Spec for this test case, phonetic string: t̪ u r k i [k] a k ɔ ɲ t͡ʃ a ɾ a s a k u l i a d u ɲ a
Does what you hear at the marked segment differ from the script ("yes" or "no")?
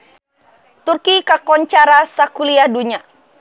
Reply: no